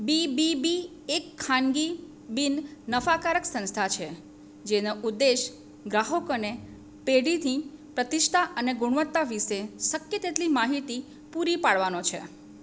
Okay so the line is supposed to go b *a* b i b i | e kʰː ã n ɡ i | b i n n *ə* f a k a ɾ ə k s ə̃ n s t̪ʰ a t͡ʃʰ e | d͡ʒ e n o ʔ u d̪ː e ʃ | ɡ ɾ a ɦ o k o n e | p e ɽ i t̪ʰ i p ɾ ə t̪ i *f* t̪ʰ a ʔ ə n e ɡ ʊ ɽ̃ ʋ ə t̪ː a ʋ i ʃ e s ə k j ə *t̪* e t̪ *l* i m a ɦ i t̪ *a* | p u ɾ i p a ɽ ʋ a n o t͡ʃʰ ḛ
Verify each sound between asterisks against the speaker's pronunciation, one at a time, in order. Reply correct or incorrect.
incorrect, correct, incorrect, correct, correct, incorrect

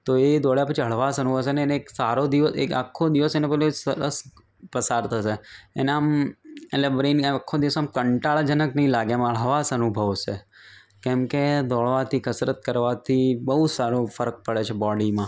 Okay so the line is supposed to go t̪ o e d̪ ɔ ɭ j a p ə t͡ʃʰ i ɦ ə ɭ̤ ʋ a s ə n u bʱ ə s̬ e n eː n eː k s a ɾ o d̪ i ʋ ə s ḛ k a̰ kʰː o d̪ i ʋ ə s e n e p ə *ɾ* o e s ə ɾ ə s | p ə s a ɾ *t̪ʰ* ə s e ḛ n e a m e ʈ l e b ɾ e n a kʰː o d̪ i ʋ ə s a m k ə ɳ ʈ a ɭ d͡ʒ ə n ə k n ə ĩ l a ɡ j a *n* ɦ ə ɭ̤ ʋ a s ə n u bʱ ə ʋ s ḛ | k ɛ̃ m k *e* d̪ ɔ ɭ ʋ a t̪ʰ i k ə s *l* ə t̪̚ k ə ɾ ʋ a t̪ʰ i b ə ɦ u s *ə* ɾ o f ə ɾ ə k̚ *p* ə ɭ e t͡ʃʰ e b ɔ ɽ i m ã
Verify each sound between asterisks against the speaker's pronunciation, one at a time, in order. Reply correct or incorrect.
incorrect, correct, incorrect, correct, incorrect, incorrect, correct

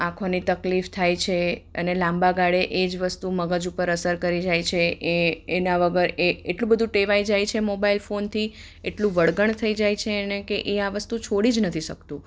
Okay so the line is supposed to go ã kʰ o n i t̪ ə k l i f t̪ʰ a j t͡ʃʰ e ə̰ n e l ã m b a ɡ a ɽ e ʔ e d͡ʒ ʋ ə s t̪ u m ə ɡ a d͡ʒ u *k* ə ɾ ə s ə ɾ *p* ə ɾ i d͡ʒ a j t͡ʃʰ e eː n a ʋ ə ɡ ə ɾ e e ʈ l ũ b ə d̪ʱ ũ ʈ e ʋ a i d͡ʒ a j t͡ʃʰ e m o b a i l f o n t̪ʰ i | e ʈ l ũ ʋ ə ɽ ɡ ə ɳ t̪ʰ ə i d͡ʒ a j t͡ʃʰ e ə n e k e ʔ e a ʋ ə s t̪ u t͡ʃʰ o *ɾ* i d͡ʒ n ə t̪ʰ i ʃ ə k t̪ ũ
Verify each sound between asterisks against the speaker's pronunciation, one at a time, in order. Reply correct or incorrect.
incorrect, incorrect, incorrect

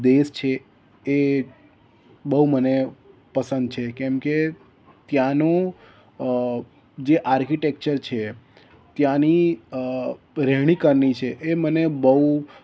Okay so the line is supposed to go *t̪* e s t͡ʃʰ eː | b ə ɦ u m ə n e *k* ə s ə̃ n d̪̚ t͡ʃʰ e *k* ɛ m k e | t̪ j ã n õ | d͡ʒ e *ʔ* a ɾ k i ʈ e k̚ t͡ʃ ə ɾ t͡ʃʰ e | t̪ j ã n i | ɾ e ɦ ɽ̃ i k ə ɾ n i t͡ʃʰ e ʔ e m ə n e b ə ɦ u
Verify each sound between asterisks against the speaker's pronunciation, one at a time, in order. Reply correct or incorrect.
incorrect, incorrect, correct, correct

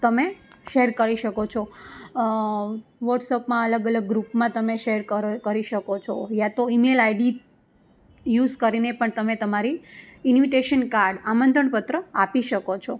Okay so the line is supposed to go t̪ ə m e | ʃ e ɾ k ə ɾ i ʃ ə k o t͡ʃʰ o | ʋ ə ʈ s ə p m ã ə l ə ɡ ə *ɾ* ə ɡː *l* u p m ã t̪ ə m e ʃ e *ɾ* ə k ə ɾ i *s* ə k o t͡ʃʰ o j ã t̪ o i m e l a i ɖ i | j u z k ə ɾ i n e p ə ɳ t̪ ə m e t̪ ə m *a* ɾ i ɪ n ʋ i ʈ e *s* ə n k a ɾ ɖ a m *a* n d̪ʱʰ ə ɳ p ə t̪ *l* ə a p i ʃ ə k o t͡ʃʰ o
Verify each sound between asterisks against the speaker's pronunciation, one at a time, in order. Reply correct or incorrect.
incorrect, incorrect, correct, incorrect, correct, incorrect, incorrect, incorrect

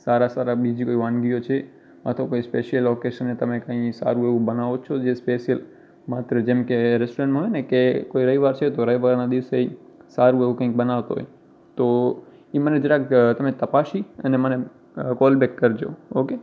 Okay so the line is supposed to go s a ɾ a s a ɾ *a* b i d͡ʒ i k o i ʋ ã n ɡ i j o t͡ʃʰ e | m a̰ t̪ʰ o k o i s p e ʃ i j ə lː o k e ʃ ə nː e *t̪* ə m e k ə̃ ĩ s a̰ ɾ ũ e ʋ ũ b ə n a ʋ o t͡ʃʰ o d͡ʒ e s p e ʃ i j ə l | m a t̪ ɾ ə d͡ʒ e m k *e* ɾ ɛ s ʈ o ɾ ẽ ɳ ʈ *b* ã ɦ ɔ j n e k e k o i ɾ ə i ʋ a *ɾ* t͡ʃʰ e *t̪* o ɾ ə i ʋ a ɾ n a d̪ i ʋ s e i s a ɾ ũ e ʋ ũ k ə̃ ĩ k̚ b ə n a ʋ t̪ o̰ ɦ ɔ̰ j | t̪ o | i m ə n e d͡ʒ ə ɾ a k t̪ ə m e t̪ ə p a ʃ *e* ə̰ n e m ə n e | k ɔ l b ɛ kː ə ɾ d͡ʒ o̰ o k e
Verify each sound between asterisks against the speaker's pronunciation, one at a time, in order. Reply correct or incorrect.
correct, correct, correct, incorrect, correct, correct, incorrect

